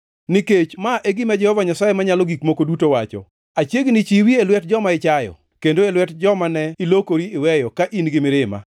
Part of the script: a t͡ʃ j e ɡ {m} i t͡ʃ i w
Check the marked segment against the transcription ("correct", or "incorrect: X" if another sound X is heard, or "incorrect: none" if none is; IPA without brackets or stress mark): incorrect: n